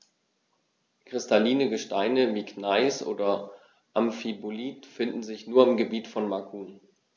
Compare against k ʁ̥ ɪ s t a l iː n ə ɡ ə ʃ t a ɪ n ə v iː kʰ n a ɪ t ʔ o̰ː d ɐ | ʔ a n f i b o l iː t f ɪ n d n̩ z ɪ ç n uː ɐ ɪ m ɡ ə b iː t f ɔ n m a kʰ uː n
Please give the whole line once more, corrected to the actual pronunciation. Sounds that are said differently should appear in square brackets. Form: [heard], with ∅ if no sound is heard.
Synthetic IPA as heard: k ʁ̥ ɪ s t a l iː n ə ɡ ə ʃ t a ɪ n ə v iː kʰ n a ɪ [s] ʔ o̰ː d ɐ | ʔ a [m] f i b o l iː t f ɪ n d n̩ z ɪ ç n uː ɐ ɪ m ɡ ə b iː t f ɔ n m a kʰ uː n